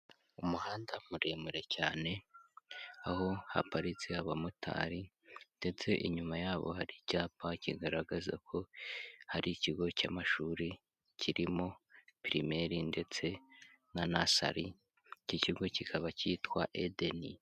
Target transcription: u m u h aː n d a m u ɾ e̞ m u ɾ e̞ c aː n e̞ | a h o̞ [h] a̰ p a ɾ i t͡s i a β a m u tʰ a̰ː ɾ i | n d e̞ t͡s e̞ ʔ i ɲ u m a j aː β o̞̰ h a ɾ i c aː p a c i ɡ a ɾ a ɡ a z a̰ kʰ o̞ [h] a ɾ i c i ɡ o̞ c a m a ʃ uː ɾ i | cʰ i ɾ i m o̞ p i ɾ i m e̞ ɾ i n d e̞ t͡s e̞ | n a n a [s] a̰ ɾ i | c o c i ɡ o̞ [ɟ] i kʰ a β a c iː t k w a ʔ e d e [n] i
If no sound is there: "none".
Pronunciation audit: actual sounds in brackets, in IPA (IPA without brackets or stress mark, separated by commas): h, h, s, c, n